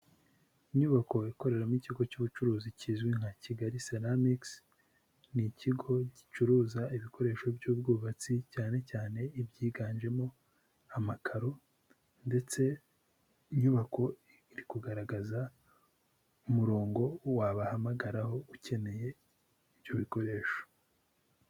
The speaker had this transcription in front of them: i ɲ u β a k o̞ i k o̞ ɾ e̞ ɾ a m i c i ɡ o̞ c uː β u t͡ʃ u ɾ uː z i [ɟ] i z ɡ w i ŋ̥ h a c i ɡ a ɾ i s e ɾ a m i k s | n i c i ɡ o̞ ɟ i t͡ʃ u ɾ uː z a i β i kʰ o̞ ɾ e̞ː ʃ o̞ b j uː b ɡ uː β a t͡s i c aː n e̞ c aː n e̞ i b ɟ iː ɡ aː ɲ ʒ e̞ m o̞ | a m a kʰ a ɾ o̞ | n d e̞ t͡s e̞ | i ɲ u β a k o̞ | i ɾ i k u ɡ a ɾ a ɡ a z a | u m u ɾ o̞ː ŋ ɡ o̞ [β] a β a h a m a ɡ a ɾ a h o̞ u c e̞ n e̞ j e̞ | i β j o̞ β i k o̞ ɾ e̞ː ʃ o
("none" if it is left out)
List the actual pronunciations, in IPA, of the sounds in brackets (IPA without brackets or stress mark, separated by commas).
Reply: c, w